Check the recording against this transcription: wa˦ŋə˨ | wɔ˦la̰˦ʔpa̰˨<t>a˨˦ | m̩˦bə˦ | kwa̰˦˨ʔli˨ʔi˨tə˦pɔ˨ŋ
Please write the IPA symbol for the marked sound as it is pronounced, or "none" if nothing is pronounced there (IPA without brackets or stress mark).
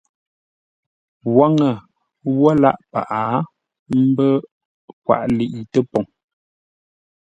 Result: ʔ